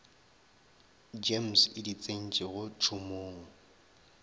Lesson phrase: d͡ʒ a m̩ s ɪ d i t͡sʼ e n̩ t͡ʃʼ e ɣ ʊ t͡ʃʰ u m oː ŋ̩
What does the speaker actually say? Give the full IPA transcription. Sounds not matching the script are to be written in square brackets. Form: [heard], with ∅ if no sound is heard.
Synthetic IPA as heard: d͡ʒ [e] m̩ s ɪ d i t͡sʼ e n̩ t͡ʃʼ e ɣ ʊ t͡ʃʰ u m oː ŋ̩